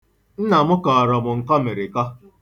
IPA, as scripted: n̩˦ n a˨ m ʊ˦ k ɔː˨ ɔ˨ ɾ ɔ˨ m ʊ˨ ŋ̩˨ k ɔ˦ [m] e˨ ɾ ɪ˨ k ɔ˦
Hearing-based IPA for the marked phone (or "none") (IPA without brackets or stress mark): m